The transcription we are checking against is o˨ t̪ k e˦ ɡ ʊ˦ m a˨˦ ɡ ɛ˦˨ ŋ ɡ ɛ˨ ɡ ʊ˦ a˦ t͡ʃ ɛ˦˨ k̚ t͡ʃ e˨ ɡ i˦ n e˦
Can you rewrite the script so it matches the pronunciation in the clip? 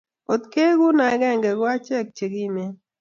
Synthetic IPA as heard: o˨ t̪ k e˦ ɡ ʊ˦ n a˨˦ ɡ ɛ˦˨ ŋ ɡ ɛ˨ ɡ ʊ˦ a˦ t͡ʃ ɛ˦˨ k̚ t͡ʃ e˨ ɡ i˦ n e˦